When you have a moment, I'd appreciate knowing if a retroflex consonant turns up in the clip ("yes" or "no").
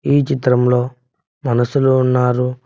no